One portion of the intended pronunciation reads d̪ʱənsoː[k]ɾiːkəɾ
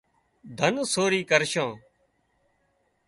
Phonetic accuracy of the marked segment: incorrect: none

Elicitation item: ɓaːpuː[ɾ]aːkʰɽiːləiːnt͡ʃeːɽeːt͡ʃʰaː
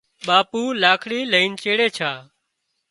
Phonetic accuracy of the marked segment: incorrect: l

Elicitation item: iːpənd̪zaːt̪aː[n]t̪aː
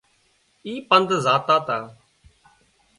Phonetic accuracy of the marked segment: incorrect: none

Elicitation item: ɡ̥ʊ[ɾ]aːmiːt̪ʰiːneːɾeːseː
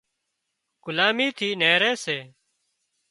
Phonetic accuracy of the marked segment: incorrect: l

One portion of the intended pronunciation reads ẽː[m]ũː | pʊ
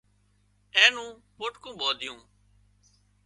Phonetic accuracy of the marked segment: incorrect: n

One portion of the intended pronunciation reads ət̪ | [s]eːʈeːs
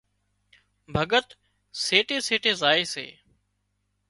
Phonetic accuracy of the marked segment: correct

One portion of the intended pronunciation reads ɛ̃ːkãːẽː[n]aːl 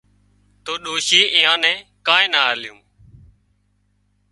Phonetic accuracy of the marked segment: correct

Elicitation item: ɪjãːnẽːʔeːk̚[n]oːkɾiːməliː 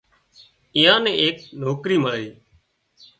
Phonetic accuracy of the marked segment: correct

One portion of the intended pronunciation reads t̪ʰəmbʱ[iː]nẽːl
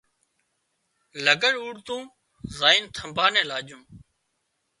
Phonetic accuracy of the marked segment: incorrect: aː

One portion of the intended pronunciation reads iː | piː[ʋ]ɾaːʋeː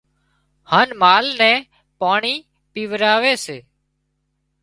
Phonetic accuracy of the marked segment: correct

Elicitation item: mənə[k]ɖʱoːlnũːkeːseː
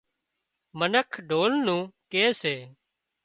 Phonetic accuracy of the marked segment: incorrect: kʰ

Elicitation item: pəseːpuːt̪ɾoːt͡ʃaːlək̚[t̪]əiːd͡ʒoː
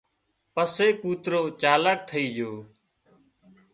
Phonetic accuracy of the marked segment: incorrect: t̪ʰ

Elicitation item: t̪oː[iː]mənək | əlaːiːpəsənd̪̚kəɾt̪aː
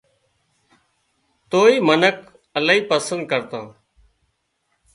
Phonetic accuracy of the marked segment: correct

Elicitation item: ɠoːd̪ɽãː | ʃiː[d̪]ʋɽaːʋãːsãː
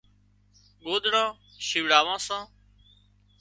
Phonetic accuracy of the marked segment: incorrect: none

